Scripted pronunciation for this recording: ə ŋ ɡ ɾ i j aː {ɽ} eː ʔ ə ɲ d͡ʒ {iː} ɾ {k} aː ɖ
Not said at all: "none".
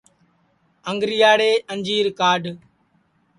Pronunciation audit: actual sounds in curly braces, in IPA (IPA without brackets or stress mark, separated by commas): ɽ, iː, k